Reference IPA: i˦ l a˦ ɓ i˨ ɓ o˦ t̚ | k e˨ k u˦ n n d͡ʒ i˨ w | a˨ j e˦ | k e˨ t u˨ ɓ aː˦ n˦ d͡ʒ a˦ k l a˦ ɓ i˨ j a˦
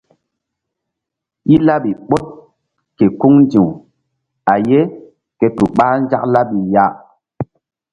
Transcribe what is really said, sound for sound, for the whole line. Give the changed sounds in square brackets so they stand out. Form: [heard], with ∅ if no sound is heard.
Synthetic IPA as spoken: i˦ l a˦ ɓ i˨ ɓ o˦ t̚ | k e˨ k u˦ [ŋ] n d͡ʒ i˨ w | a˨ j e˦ | k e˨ t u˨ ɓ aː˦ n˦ d͡ʒ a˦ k l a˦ ɓ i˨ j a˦

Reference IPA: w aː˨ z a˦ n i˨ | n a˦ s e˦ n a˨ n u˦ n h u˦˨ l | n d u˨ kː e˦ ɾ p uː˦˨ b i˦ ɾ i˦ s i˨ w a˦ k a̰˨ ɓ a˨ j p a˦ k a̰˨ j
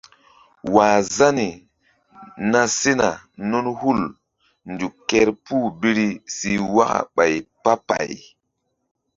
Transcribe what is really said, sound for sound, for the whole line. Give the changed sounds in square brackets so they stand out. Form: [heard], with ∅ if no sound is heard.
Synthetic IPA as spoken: w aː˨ z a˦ n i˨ | n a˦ s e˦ n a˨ n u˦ n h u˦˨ l | n d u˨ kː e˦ ɾ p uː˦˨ b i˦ ɾ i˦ s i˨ w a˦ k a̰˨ ɓ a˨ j p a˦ [p] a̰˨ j

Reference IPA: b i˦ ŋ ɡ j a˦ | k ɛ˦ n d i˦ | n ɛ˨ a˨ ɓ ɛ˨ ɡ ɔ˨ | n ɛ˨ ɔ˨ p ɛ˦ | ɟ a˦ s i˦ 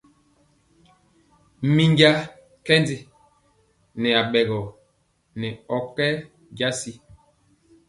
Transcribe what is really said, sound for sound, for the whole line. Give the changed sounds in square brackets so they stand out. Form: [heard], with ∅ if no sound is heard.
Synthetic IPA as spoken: [m] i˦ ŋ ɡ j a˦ | k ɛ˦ n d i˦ | n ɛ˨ a˨ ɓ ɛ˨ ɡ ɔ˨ | n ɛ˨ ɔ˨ [k] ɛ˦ | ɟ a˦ s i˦

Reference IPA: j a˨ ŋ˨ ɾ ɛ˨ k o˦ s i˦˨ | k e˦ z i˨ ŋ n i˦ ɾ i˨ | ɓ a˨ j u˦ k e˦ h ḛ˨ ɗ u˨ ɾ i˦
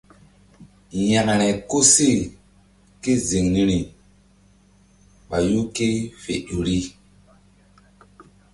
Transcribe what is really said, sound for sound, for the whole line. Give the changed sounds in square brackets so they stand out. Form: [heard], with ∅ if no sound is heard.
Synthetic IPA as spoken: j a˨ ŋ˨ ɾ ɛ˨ k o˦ s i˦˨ | k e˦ z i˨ ŋ n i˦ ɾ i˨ | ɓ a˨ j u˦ k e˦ [f] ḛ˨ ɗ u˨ ɾ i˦

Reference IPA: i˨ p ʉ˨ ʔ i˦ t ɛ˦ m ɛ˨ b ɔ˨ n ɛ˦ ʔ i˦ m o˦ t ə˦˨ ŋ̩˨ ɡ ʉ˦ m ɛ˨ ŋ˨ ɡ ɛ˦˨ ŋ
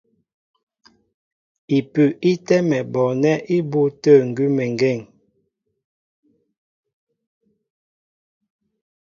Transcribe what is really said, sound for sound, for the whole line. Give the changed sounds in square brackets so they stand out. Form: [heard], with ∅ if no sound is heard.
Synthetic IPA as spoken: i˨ p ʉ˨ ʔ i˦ t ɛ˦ m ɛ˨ b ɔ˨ n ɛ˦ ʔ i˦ [b] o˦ t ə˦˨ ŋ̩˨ ɡ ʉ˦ m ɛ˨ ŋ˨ ɡ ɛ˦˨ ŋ

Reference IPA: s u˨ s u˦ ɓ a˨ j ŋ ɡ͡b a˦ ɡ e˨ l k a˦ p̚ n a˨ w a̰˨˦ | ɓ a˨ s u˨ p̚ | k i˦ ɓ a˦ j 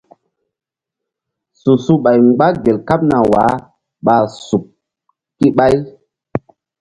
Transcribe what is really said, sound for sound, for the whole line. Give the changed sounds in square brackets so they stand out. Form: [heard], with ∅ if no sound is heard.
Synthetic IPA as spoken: s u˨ s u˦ ɓ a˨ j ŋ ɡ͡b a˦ ɡ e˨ l k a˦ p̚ n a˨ w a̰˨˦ | ɓ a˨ s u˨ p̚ | k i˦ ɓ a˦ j

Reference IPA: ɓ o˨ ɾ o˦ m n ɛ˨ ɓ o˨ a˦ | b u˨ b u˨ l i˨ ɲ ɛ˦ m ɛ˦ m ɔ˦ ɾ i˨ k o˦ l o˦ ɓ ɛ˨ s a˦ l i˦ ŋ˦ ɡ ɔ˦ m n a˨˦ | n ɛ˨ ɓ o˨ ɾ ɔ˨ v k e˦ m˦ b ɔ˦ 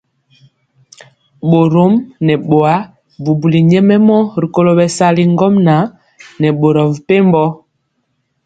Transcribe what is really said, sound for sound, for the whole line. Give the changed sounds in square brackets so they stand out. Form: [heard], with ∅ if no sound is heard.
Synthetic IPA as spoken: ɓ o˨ ɾ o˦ m n ɛ˨ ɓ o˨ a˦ | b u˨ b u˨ l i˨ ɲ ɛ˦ m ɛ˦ m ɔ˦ ɾ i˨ k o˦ l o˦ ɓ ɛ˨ s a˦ l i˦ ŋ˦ ɡ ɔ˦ m n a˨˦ | n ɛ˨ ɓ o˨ ɾ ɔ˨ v [p] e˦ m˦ b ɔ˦

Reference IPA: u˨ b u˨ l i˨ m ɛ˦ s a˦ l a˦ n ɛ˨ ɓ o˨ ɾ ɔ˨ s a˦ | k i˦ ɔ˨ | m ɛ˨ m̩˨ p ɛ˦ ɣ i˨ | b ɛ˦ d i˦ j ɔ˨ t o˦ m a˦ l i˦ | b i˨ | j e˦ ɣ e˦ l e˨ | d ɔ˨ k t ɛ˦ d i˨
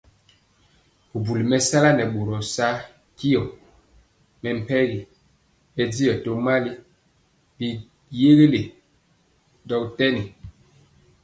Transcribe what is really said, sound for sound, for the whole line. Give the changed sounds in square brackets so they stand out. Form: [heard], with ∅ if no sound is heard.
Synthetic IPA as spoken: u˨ b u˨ l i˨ m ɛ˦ s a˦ l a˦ n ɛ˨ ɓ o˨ ɾ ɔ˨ s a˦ | k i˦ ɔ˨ | m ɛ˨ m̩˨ p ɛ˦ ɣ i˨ | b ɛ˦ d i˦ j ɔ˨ t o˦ m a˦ l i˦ | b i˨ | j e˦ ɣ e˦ l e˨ | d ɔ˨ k t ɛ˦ [n] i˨

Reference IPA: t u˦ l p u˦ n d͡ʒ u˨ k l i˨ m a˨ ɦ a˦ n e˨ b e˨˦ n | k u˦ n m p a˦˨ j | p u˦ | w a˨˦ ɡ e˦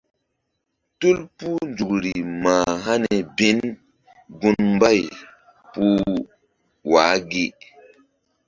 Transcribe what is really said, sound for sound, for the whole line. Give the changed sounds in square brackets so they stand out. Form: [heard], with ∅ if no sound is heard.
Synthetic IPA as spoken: t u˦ l p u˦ n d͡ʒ u˨ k [ɾ] i˨ m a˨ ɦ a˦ n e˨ b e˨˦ n | [ɡ] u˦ n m [b] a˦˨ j | p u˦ | w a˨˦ ɡ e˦

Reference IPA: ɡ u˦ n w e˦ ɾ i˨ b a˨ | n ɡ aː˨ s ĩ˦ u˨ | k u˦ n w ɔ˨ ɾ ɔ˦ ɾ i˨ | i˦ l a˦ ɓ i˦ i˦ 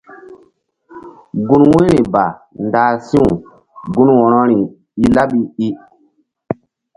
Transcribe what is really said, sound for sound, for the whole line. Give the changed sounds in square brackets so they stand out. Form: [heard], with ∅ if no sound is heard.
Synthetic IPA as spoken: ɡ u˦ n w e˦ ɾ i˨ b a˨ | n [d] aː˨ s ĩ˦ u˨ | [ɡ] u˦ n w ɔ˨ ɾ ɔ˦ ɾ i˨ | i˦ l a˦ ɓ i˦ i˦

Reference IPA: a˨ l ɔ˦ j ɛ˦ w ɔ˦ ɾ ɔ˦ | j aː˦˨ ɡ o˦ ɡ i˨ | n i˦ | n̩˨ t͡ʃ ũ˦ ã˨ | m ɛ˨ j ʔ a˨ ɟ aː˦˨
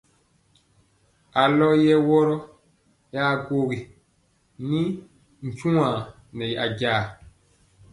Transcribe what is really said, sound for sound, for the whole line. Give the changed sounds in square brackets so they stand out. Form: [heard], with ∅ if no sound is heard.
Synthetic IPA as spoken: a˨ l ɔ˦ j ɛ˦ w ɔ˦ ɾ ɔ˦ | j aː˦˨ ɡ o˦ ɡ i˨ | n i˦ | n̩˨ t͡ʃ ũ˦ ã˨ | [n] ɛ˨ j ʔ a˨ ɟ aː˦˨

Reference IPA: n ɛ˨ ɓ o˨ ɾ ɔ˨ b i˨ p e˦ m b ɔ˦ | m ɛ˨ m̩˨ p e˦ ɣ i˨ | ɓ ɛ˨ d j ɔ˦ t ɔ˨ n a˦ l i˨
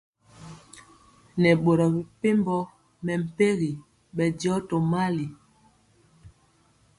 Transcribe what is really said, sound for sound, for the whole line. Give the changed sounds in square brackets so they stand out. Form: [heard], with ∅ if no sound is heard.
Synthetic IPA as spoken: n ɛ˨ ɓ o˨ ɾ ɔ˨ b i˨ p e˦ m b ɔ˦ | m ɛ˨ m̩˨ p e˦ ɣ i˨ | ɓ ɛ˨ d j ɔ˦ t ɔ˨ [m] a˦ l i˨

